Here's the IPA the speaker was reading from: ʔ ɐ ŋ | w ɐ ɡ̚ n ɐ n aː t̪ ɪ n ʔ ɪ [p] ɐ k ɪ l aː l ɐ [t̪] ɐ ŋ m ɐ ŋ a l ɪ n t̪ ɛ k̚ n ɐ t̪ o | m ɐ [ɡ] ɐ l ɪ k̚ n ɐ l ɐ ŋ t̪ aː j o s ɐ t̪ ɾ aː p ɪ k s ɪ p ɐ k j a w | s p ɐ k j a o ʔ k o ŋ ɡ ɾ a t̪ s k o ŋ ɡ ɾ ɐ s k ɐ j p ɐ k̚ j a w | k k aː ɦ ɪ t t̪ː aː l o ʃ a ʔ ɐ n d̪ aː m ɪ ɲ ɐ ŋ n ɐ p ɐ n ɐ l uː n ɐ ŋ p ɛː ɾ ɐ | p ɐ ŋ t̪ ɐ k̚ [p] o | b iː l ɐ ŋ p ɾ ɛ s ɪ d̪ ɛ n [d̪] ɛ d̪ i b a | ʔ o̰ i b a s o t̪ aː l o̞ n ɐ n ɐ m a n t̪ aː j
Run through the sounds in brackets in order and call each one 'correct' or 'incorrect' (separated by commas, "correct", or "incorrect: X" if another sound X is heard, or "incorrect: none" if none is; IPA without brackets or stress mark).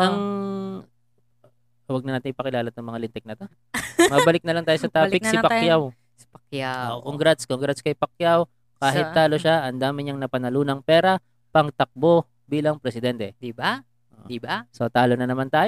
correct, correct, incorrect: b, incorrect: b, incorrect: t̪